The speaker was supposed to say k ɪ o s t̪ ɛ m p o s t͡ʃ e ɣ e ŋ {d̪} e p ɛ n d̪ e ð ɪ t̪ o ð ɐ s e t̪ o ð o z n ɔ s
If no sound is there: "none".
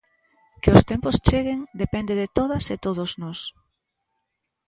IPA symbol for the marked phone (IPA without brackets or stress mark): d̪